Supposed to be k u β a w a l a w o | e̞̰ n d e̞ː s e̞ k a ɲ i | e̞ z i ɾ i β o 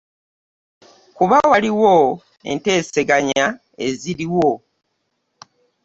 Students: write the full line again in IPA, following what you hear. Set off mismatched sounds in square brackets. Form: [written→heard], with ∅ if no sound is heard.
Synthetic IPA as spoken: k u β a w a l [a→i] w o | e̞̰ n [d→t] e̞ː s e̞ [k→ɡ] a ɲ [i→a] | e̞ z i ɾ i [β→w] o